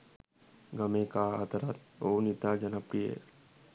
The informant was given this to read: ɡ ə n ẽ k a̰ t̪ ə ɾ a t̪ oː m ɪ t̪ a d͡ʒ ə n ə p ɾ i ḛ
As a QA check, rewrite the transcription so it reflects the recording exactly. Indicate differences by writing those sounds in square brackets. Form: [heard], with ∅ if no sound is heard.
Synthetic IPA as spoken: ɡ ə [m] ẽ k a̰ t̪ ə ɾ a t̪ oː [n] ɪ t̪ a d͡ʒ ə n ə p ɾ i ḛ